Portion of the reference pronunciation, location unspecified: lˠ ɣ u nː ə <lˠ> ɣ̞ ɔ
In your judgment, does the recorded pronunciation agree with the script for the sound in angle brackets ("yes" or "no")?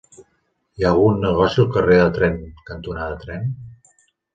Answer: no